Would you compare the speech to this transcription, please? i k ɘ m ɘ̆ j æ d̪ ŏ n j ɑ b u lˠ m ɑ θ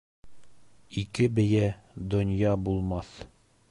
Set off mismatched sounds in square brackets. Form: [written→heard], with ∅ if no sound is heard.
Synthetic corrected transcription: i k ɘ [m→b] ɘ̆ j æ d̪ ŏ n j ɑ b u lˠ m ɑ θ

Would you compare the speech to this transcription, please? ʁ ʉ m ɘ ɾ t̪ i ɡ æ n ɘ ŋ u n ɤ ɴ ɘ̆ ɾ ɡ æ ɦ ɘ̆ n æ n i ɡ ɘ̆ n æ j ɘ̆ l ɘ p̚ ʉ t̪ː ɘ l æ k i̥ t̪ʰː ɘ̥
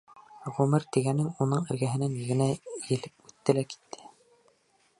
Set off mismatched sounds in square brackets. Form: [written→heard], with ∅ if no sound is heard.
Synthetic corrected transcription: ʁ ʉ m ɘ ɾ t̪ i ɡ æ n ɘ ŋ u n ɤ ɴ ɘ̆ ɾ ɡ æ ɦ ɘ̆ n æ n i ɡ ɘ̆ n æ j ɘ̆ l ɘ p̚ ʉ t̪ː ɘ l æ k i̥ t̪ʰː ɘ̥

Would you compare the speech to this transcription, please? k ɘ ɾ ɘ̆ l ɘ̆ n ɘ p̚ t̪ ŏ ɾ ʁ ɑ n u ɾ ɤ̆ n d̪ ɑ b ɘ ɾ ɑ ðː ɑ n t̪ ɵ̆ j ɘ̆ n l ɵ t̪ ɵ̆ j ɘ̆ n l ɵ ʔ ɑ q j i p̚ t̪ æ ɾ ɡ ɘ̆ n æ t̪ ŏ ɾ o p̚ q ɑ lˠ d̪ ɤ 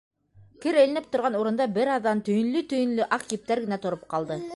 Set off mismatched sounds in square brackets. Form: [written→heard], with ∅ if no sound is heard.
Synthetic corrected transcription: k ɘ ɾ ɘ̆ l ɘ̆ n ɘ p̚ t̪ ŏ ɾ ʁ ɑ n u ɾ ɤ̆ n d̪ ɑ b ɘ ɾ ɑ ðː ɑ n t̪ ɵ̆ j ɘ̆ n l ɵ t̪ ɵ̆ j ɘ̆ n l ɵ ʔ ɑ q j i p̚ t̪ æ ɾ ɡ ɘ̆ n æ t̪ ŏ ɾ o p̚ q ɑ lˠ d̪ ɤ

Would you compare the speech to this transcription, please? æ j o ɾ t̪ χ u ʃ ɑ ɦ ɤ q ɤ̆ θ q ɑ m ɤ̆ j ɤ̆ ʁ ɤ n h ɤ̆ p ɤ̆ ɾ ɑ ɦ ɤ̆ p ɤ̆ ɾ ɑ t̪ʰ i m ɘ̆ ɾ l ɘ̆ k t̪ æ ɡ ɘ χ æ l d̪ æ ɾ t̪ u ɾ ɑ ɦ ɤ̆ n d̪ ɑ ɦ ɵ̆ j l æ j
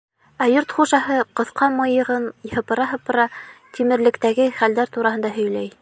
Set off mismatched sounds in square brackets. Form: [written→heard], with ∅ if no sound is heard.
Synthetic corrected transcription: æ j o ɾ t̪ χ u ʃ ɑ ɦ ɤ q ɤ̆ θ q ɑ m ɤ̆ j ɤ̆ ʁ ɤ n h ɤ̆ p ɤ̆ ɾ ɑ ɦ ɤ̆ p ɤ̆ ɾ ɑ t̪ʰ i m ɘ̆ ɾ l ɘ̆ k t̪ æ ɡ ɘ χ æ l d̪ æ ɾ t̪ u ɾ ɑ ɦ ɤ̆ n d̪ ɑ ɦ ɵ̆ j l æ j

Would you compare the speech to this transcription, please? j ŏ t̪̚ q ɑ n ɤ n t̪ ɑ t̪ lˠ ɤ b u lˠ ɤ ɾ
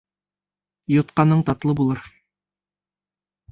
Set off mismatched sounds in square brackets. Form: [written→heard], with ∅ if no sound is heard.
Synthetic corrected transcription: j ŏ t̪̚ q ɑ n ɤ [n→ɴ] t̪ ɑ t̪ lˠ ɤ b u lˠ ɤ ɾ

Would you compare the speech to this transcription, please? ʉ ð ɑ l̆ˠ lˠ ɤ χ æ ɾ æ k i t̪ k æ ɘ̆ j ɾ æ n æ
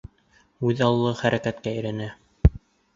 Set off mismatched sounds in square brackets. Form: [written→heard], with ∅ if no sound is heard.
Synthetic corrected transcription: ʉ ð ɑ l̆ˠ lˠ ɤ χ æ ɾ æ k [i→æ] t̪ k æ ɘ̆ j ɾ æ n æ

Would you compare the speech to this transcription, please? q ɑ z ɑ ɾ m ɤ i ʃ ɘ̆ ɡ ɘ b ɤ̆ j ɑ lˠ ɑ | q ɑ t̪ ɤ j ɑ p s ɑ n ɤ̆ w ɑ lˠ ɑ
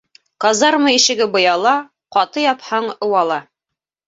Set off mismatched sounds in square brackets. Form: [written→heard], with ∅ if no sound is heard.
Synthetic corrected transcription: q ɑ z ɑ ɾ m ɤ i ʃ ɘ̆ ɡ ɘ b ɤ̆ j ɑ lˠ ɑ | q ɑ t̪ ɤ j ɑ p [s→h] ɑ [n→ɴ] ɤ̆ w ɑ lˠ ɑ

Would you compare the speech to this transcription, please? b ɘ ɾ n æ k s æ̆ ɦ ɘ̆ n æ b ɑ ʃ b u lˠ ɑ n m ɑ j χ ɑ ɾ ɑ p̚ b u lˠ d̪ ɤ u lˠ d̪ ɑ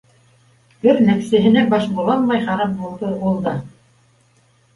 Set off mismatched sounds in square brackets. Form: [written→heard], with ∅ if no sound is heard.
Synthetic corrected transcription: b ɘ ɾ n æ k s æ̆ ɦ ɘ̆ n æ b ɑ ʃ b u lˠ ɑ n m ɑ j χ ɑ ɾ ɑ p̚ b u lˠ d̪ ɤ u lˠ d̪ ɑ

